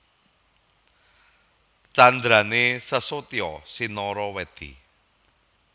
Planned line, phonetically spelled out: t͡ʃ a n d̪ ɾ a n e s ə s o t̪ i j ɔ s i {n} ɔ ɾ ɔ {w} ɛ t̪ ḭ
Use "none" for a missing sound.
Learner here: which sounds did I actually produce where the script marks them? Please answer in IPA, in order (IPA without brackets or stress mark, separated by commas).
n, w